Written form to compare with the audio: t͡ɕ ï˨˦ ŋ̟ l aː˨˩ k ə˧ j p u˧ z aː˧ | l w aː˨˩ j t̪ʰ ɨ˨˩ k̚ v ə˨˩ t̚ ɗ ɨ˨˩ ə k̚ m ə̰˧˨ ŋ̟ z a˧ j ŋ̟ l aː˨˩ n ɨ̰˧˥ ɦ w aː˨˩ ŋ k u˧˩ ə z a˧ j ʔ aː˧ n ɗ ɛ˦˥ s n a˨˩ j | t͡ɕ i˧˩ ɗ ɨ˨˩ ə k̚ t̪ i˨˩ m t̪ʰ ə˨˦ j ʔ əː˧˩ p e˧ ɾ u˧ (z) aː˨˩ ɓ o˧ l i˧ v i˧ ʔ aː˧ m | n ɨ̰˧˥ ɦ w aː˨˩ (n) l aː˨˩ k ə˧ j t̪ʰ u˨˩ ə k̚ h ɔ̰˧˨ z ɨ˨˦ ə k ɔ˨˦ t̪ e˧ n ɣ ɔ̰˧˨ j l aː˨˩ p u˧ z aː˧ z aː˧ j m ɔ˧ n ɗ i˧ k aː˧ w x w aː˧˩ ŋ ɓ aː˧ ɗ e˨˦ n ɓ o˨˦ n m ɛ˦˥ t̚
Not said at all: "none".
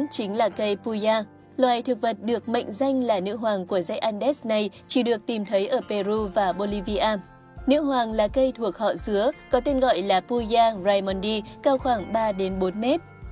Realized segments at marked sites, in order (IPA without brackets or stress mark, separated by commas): v, ŋ